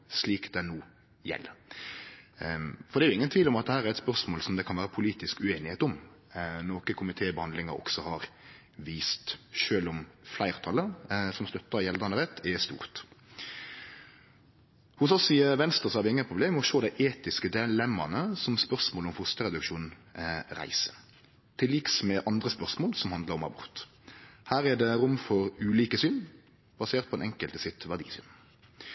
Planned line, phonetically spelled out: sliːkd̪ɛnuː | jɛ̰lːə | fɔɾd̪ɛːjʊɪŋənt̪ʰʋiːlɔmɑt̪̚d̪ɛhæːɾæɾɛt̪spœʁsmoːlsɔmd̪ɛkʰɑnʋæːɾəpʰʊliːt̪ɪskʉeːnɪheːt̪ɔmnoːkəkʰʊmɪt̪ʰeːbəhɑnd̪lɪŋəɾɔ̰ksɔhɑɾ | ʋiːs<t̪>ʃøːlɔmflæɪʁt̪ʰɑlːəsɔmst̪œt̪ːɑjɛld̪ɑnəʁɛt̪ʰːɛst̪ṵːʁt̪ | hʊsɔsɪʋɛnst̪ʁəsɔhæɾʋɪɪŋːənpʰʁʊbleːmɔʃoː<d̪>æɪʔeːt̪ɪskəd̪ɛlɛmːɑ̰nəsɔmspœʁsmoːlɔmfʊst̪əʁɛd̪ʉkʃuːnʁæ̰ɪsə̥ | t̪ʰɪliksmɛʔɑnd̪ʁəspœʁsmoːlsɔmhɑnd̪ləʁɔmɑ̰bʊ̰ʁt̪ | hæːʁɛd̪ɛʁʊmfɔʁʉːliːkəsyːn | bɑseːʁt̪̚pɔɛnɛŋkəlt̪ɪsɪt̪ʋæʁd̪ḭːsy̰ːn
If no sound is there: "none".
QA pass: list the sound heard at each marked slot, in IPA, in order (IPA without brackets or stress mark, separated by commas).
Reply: t̪, d̪